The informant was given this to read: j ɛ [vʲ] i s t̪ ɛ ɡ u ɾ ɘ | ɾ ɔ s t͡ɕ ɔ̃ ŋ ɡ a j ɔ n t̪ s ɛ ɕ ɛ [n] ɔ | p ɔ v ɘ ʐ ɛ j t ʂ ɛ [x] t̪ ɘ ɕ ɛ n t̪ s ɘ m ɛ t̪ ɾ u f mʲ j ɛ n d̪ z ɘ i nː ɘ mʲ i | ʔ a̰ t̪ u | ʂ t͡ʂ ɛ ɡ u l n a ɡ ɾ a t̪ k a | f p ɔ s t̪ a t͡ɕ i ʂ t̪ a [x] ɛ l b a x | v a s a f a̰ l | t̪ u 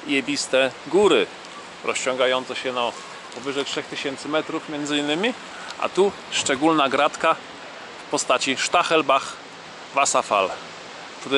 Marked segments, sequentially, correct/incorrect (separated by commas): incorrect, correct, correct, correct